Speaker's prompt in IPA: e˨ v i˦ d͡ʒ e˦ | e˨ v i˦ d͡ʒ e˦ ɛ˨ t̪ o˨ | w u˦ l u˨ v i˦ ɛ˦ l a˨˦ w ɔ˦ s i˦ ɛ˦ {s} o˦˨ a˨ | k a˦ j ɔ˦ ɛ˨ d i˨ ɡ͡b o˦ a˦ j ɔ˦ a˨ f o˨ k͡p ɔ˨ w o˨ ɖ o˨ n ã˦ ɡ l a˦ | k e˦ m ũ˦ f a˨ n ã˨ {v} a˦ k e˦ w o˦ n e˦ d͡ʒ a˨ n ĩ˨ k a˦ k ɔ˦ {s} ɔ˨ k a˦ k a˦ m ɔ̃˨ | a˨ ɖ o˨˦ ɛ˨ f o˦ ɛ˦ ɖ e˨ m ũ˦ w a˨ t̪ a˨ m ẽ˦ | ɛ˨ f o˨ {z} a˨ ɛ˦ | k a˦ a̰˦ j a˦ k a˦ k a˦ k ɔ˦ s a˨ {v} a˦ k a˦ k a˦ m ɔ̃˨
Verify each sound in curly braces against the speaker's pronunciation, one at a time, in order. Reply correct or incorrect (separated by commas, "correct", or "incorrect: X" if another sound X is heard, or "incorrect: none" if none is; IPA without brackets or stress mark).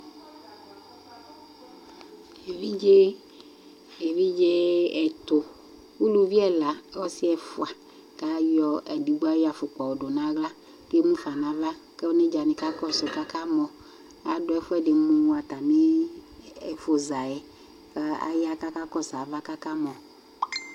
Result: incorrect: f, correct, correct, correct, correct